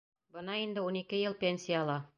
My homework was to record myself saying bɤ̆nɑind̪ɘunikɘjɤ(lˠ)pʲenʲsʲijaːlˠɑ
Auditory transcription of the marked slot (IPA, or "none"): lˠ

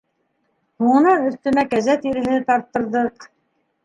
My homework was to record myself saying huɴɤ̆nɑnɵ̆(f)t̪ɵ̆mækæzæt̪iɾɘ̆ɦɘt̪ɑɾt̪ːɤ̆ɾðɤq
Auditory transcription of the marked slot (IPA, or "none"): θ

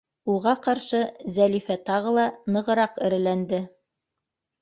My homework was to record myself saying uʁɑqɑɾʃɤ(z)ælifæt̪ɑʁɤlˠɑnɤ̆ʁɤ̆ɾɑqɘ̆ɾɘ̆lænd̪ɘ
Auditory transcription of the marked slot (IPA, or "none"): z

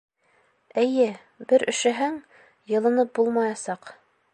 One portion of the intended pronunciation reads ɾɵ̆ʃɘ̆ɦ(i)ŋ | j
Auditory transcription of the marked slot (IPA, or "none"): æ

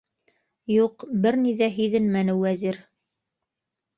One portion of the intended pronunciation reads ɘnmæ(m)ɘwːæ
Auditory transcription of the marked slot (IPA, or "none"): n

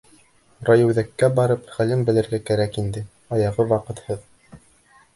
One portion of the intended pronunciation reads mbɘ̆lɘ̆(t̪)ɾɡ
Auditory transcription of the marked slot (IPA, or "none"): none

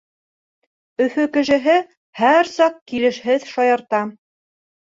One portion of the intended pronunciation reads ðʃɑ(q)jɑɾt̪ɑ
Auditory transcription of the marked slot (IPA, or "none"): none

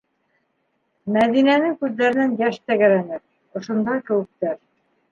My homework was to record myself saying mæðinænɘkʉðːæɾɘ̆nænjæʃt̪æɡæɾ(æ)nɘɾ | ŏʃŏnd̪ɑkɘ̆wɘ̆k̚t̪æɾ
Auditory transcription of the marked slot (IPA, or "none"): æ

